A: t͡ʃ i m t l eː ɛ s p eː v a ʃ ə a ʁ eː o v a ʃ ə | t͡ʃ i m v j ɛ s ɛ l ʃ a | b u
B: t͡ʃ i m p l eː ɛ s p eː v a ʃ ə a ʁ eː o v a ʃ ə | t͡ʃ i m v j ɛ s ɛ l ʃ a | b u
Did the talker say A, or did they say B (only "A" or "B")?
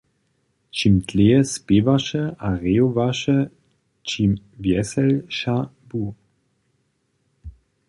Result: A